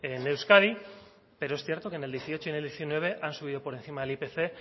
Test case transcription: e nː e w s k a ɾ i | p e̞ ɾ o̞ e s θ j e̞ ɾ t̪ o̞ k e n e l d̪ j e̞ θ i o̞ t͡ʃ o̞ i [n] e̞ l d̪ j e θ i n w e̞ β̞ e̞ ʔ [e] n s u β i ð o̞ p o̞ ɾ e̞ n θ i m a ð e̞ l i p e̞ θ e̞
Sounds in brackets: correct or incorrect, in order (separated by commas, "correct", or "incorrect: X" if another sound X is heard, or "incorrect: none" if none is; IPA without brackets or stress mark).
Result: correct, incorrect: a